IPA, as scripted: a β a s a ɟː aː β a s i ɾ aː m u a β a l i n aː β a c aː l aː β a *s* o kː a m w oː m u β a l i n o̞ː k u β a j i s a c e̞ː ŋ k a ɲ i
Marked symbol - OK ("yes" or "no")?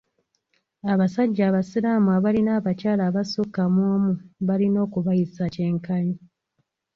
yes